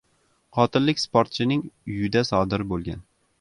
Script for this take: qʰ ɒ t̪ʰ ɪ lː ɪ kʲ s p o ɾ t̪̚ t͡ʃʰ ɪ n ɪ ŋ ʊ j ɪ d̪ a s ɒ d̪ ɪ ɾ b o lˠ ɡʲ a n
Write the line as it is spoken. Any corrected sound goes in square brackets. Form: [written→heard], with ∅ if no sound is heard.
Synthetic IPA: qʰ ɒ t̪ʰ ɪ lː ɪ kʲ s p o ɾ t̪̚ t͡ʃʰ ɪ n ɪ ŋ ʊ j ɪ d̪ a s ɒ d̪ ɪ ɾ b o lˠ ɡʲ a n